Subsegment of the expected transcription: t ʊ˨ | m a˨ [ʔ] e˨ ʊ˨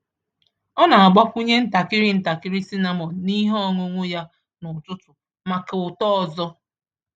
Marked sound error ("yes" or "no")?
yes